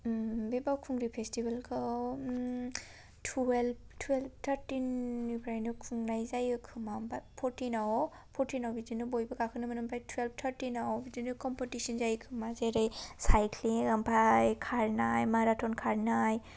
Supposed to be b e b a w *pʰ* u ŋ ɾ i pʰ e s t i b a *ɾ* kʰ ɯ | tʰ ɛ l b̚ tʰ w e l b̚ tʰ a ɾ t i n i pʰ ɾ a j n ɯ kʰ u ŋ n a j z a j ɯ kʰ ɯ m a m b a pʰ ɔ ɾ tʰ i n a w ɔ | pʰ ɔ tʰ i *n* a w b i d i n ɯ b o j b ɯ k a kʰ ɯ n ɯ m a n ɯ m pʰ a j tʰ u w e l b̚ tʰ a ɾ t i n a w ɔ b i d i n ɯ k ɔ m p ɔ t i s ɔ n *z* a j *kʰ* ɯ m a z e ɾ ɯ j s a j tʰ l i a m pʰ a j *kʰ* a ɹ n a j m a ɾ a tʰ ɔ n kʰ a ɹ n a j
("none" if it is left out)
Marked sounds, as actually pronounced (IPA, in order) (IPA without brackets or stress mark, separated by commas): kʰ, l, n, z, kʰ, kʰ